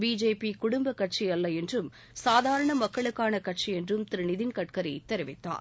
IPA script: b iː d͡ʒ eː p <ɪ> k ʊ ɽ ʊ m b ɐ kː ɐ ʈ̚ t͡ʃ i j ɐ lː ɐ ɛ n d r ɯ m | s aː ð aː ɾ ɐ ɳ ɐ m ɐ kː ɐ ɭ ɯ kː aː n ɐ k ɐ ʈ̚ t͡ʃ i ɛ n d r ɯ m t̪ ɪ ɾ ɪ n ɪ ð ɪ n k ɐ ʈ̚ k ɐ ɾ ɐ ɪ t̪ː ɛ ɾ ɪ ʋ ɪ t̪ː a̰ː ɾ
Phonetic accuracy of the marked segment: incorrect: i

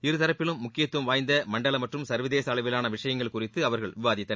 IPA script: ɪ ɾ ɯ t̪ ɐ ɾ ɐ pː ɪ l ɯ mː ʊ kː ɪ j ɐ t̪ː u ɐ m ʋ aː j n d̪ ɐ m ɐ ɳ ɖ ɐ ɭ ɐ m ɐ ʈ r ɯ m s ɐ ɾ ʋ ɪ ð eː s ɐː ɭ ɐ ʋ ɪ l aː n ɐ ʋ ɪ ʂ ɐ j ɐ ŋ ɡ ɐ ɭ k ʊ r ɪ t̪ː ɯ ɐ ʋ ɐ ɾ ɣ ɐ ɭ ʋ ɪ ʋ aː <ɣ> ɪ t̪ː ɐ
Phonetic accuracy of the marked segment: incorrect: ð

